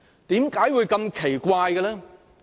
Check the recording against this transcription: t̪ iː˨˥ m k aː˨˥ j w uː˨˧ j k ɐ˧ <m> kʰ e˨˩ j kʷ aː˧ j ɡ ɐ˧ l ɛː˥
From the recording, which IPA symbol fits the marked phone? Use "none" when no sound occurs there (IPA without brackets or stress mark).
m